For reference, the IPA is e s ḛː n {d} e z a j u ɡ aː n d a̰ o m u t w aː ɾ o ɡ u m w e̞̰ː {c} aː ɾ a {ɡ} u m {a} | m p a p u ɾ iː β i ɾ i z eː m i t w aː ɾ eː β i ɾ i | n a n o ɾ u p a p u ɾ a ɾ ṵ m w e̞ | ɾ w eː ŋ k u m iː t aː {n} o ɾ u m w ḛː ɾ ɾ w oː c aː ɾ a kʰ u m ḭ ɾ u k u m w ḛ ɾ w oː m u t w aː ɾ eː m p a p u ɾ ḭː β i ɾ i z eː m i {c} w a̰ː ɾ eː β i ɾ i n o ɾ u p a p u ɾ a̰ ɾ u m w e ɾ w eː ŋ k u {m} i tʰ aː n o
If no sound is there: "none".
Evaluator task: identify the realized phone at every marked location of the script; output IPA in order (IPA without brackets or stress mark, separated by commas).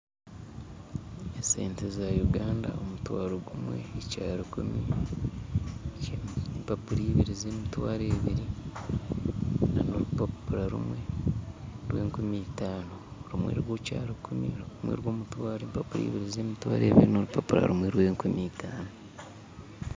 t, c, k, i, n, t, m